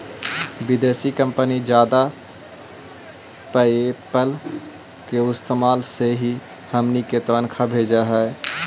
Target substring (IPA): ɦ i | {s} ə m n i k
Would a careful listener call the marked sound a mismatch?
yes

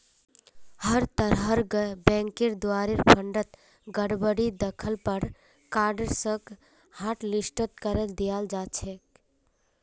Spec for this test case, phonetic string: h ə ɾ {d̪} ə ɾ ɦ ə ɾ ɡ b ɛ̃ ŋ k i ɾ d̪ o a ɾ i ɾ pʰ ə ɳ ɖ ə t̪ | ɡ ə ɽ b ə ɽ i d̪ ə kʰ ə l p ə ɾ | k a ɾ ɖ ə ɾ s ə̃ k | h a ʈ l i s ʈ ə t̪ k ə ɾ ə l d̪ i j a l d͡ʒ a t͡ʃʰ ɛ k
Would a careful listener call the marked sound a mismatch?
yes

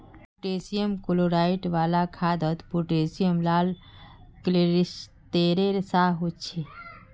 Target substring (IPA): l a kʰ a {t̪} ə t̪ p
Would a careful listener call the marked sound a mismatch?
yes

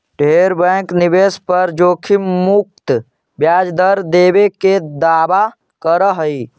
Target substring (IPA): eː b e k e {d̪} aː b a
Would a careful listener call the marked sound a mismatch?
no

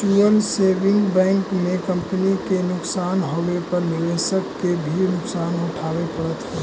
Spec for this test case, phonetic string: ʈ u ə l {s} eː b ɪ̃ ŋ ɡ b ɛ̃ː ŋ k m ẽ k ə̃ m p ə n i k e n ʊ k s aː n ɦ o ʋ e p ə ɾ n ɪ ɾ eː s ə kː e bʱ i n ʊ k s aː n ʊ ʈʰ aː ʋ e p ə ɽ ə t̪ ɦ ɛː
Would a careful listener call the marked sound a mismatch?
no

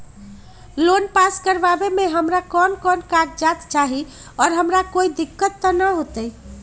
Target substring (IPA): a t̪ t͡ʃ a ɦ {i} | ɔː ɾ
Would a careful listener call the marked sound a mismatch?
no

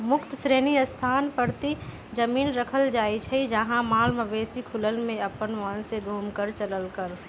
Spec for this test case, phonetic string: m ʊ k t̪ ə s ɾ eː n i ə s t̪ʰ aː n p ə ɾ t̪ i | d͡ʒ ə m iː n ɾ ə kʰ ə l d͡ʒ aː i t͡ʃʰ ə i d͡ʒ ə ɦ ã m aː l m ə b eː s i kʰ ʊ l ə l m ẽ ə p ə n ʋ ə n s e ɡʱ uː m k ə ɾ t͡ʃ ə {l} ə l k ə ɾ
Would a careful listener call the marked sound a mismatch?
no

